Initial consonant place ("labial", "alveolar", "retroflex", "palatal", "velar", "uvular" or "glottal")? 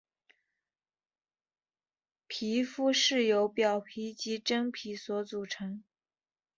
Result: labial